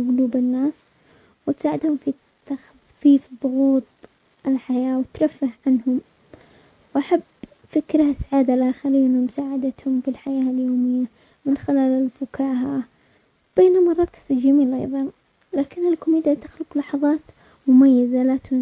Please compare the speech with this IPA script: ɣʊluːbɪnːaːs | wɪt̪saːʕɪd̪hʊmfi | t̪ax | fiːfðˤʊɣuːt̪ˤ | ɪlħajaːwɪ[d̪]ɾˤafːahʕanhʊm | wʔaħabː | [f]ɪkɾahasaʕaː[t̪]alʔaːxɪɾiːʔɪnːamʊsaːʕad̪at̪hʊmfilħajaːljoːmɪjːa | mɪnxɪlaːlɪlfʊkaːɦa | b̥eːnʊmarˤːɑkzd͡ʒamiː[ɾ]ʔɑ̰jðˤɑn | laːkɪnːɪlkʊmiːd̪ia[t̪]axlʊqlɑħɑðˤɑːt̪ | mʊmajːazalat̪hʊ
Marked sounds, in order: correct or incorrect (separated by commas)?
incorrect, correct, incorrect, incorrect, correct